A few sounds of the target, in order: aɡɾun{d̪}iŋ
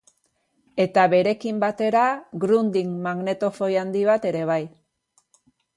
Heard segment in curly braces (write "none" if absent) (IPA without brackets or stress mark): d̪